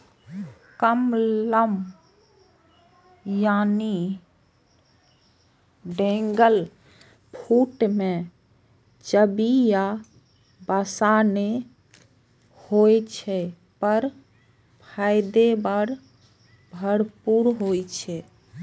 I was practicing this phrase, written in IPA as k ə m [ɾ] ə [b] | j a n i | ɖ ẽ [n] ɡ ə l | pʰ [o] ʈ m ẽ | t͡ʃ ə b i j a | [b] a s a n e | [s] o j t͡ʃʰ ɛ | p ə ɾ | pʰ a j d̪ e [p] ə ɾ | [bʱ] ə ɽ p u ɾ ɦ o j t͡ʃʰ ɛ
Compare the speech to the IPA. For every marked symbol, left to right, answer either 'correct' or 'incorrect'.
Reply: incorrect, incorrect, incorrect, incorrect, correct, incorrect, incorrect, correct

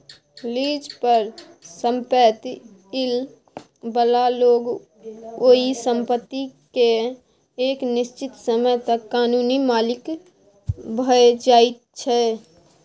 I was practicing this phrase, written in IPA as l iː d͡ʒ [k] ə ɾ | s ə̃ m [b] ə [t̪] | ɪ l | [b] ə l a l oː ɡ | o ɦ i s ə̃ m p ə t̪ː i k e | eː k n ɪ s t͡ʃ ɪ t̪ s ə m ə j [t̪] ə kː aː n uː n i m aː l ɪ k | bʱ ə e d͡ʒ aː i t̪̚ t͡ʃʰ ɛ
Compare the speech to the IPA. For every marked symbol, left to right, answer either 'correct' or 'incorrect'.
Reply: incorrect, incorrect, correct, correct, correct

